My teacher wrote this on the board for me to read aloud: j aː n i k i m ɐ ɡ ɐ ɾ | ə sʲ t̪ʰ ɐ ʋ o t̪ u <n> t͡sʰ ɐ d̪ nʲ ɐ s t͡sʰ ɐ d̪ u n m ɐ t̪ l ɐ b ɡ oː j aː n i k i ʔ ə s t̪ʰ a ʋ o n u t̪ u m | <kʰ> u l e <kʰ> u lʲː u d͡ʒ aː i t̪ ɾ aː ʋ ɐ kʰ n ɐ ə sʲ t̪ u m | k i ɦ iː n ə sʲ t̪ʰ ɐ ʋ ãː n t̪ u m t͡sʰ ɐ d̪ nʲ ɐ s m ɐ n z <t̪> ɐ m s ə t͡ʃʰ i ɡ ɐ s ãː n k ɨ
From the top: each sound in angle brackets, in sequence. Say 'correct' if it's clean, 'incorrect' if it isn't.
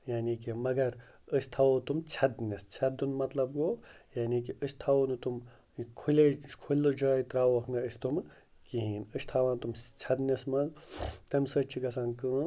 incorrect: m, correct, correct, correct

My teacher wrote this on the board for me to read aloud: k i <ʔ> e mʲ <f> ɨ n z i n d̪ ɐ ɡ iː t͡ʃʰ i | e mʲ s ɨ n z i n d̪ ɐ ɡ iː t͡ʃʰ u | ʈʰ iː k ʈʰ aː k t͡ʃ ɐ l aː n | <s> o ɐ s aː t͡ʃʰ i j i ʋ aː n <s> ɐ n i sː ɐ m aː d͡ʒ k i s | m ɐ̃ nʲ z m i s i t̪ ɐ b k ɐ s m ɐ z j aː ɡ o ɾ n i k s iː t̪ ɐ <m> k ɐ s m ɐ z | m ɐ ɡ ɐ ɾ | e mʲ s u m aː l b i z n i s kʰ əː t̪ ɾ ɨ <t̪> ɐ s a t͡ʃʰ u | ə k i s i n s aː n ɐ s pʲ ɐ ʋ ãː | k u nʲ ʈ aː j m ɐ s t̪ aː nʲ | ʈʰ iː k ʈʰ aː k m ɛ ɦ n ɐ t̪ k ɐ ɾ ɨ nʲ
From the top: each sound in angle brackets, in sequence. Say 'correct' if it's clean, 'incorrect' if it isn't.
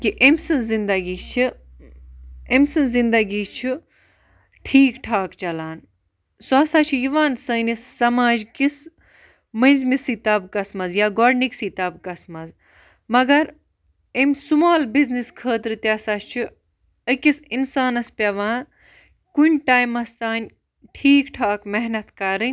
correct, incorrect: s, correct, correct, incorrect: b, correct

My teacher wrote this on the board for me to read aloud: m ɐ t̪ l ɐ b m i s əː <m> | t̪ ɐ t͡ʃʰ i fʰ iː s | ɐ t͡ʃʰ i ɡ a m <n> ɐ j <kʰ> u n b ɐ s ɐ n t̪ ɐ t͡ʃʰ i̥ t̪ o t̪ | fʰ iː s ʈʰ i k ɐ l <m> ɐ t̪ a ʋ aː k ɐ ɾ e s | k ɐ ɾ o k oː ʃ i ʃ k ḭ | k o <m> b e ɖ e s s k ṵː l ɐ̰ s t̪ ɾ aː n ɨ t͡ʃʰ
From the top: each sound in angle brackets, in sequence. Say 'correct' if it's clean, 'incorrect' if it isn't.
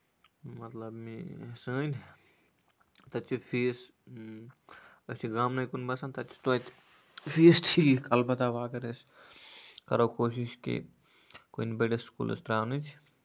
incorrect: n, correct, incorrect: k, incorrect: b, incorrect: n

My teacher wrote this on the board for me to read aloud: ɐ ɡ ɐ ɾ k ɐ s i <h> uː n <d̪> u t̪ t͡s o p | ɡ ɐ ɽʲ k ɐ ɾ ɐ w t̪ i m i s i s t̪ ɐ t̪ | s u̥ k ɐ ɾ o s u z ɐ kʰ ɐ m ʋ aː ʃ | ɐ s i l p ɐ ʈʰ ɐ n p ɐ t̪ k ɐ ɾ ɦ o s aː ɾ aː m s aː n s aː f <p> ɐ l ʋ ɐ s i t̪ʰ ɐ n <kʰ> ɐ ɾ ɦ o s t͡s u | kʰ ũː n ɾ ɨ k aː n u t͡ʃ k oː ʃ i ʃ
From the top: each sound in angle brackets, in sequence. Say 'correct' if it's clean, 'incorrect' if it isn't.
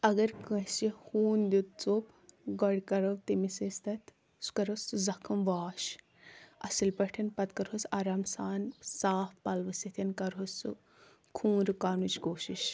correct, correct, correct, incorrect: k

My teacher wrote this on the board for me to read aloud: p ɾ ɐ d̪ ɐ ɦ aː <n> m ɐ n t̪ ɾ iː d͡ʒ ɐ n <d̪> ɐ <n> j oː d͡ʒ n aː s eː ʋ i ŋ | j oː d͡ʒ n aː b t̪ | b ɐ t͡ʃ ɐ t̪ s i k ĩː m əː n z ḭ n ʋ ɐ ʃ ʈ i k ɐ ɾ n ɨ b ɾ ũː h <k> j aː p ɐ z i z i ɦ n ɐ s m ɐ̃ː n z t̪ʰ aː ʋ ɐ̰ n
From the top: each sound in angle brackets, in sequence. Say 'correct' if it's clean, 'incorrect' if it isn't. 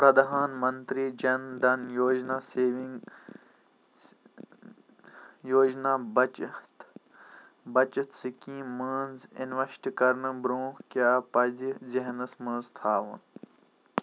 correct, correct, correct, correct

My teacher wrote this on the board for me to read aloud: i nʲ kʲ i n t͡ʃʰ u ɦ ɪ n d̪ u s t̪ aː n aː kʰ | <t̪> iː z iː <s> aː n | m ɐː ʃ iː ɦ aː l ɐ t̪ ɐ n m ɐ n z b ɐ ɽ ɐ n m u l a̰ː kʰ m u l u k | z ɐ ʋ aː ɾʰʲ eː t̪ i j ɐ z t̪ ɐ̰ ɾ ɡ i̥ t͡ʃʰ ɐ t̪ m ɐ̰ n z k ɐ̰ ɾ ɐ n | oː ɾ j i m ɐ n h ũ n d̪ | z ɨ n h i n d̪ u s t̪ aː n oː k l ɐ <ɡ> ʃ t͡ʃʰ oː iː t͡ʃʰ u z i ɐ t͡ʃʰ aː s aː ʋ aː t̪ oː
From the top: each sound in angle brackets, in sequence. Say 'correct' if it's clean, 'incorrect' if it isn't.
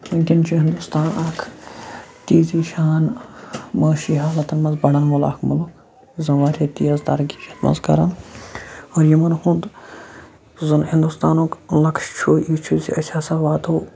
correct, incorrect: ʃ, incorrect: k

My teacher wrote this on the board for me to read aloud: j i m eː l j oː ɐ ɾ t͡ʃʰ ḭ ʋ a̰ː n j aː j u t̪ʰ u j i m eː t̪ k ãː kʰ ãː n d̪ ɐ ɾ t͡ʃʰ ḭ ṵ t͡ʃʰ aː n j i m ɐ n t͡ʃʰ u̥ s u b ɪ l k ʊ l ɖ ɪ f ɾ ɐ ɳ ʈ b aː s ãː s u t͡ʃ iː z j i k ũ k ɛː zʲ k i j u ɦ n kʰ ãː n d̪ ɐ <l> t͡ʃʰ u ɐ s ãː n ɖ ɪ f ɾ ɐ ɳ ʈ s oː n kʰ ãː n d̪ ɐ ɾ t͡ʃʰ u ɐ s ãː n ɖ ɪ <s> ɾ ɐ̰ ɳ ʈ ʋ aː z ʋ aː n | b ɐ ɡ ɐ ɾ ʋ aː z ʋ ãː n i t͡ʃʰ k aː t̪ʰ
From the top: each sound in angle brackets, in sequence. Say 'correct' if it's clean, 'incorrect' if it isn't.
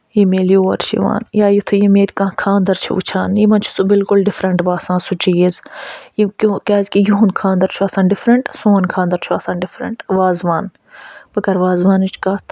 incorrect: ɾ, incorrect: f

